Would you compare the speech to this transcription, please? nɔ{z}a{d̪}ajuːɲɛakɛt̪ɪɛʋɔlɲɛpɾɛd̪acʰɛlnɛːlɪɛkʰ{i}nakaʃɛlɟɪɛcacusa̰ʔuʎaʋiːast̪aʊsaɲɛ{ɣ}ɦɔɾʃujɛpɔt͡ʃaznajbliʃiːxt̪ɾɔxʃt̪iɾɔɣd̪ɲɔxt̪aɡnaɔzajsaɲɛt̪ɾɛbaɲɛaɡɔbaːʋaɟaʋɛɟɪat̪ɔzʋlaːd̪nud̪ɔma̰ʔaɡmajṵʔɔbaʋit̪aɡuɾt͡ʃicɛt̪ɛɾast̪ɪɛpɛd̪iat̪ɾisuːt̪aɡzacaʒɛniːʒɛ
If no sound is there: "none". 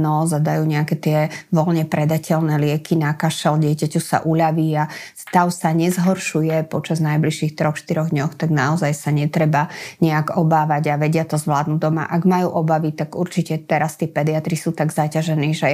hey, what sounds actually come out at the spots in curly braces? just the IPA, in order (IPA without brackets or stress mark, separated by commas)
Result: z, d̪, i, z